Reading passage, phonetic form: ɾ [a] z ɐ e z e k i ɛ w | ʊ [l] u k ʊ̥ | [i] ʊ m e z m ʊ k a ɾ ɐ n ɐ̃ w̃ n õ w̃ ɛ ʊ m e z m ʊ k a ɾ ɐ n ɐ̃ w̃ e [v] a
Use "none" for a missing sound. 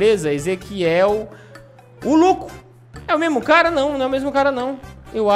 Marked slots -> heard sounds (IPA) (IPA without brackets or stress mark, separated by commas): e, l, ɛ, w